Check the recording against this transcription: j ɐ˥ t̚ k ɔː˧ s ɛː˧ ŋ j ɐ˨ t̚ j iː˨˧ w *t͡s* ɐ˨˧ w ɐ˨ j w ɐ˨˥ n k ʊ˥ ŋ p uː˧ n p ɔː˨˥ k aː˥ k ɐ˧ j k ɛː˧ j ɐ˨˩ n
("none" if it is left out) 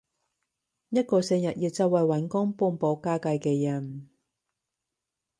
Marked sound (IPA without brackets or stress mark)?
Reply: t͡s